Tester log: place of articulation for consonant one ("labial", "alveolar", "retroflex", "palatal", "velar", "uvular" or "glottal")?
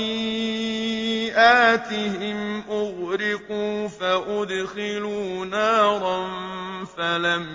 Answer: glottal